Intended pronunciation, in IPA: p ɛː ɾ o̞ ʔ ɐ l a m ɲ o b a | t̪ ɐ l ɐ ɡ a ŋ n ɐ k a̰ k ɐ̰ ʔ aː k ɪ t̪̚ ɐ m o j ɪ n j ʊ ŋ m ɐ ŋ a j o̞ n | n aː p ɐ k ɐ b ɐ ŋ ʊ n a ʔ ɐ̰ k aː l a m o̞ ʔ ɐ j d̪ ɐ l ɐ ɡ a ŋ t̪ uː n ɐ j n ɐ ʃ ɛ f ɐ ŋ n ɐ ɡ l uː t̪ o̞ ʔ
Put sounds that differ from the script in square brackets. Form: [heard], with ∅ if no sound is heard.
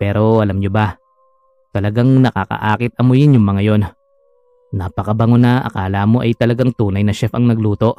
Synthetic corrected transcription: p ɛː ɾ o̞ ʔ ɐ l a m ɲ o b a | t̪ ɐ l ɐ ɡ a ŋ n ɐ k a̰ k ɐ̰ ʔ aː k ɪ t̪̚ ɐ m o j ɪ n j ʊ ŋ m ɐ ŋ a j o̞ n | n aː p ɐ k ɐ b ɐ ŋ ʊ n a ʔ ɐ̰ k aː l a m o̞ ʔ ɐ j [t̪] ɐ l ɐ ɡ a ŋ t̪ uː n ɐ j n ɐ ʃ ɛ f ɐ ŋ n ɐ ɡ l uː t̪ o̞ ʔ